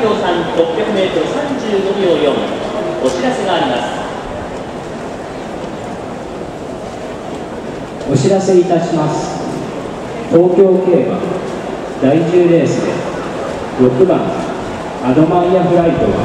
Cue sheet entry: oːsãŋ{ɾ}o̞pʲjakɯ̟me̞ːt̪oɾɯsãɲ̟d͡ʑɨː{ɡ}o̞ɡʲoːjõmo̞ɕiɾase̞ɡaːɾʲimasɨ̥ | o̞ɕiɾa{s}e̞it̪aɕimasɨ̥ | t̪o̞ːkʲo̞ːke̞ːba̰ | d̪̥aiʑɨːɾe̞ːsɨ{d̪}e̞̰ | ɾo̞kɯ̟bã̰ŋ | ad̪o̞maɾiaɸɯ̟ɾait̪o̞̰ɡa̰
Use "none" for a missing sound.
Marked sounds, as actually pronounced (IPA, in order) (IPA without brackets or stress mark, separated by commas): ɾ, ɡ, s, d̪